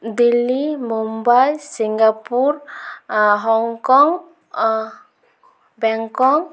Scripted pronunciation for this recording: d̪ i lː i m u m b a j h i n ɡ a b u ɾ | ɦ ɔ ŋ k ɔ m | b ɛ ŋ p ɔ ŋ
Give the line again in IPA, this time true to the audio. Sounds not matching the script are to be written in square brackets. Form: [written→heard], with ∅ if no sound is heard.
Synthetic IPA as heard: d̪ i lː i m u m b a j [h→s] i [n→ŋ] ɡ a [b→p] u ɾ | ɦ ɔ ŋ k ɔ [m→ŋ] | b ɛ ŋ [p→k] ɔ ŋ

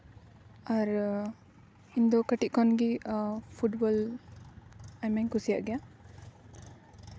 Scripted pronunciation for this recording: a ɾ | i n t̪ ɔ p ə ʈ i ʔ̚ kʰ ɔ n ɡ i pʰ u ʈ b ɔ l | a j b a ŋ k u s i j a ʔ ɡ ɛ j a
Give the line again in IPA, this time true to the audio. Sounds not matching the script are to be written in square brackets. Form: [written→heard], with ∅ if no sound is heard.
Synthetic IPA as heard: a ɾ | i n [t̪→d̪] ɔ [p→k] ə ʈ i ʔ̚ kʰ ɔ n ɡ i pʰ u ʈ b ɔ l | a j [b→m] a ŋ k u s i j a ʔ ɡ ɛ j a

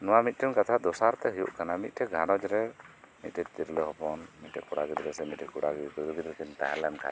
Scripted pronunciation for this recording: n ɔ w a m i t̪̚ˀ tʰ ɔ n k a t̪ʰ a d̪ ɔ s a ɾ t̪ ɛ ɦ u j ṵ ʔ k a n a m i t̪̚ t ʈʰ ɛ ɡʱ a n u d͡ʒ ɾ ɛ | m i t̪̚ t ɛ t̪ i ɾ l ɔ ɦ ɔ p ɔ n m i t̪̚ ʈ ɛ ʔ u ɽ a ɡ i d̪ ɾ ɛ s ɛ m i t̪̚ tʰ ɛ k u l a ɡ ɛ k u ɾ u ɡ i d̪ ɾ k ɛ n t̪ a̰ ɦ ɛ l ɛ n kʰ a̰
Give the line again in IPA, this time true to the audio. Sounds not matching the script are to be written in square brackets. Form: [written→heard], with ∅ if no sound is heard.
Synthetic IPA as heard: n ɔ w a m i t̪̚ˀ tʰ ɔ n k a t̪ʰ a d̪ ɔ s a ɾ t̪ ɛ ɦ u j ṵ ʔ k a n a m i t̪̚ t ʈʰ ɛ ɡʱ a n [u→ɔ] d͡ʒ ɾ ɛ | m i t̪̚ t ɛ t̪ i ɾ l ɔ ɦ ɔ p ɔ n m i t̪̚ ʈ ɛ [ʔ→k] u ɽ a ɡ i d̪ ɾ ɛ s ɛ m i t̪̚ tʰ ɛ k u [l→ɽ] a ɡ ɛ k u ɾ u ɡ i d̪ ɾ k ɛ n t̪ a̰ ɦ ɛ l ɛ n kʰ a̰

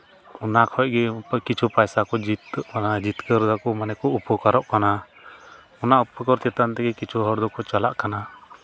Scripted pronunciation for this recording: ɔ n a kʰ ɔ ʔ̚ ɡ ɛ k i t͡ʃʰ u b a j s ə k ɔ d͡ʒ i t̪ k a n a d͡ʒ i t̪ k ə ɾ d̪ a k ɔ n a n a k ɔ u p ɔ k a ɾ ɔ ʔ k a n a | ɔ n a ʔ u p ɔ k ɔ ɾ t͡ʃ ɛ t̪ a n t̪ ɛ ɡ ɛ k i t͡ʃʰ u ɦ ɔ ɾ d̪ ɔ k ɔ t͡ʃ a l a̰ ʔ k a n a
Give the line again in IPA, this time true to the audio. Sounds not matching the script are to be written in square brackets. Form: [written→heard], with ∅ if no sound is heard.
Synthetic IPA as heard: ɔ n a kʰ ɔ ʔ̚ ɡ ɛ k i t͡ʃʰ u [b→p] a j s [ə→a] k ɔ d͡ʒ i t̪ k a n a d͡ʒ i t̪ k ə ɾ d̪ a k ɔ [n→m] a n [a→ɛ] k ɔ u p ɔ k a ɾ ɔ ʔ k a n a | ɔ n a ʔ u p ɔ k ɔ ɾ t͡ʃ ɛ t̪ a n t̪ ɛ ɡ ɛ k i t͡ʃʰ u ɦ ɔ ɾ d̪ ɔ k ɔ t͡ʃ a l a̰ ʔ k a n a

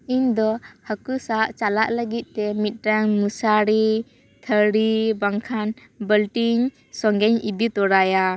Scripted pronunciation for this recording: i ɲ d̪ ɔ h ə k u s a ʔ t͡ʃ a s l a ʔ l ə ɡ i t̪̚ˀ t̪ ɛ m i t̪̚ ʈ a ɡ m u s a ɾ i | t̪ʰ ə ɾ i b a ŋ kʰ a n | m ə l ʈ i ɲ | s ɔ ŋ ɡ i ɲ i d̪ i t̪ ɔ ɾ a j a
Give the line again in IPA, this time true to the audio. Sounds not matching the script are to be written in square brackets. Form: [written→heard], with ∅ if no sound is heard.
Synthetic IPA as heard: i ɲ d̪ ɔ h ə k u s a ʔ t͡ʃ a [s→∅] l a ʔ l ə ɡ i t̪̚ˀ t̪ ɛ m i t̪̚ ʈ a [ɡ→ŋ] m u s a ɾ i | t̪ʰ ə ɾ i b a ŋ kʰ a n | [m→b] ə l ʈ i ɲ | s ɔ ŋ ɡ [i→ɛ] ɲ i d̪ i t̪ ɔ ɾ a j a

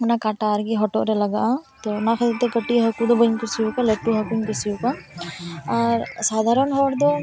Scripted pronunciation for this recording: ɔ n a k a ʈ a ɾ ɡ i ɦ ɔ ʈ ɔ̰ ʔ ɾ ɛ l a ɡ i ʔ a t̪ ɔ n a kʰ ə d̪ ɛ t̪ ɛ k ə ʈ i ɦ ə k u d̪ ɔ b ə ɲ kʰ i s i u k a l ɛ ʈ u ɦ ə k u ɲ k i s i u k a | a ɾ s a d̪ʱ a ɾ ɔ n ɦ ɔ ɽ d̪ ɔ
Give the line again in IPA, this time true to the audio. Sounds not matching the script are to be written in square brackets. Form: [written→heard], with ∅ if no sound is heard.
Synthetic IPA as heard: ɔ n a k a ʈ a ɾ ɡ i ɦ ɔ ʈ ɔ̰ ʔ ɾ ɛ l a ɡ [i→a] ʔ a t̪ ɔ n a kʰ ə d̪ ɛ t̪ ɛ k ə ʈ i ɦ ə k u d̪ ɔ b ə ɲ [kʰ→k] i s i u k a l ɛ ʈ u ɦ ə k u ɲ k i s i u k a | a ɾ s a d̪ʱ a ɾ ɔ n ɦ ɔ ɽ d̪ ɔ

